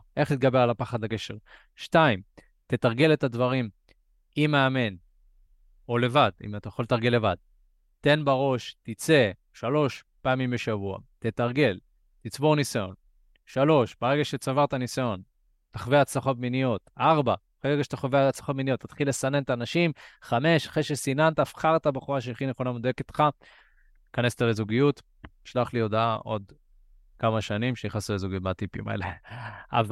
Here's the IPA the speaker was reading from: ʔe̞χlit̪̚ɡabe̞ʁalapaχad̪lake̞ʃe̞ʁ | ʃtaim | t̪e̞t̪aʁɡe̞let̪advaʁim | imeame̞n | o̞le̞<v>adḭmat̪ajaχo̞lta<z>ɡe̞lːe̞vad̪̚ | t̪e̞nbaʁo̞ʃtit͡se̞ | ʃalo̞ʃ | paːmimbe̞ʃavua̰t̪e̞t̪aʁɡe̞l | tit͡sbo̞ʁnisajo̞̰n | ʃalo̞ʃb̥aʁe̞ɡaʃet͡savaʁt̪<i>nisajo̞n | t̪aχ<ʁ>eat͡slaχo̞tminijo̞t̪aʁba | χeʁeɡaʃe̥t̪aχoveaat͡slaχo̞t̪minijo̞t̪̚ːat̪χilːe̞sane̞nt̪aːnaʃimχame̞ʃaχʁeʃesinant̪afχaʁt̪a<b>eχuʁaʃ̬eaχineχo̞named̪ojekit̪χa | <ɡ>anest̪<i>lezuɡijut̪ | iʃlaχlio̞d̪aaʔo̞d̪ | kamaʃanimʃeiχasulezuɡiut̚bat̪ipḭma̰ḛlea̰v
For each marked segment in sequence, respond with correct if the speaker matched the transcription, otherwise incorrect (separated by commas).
correct, incorrect, incorrect, incorrect, correct, incorrect, incorrect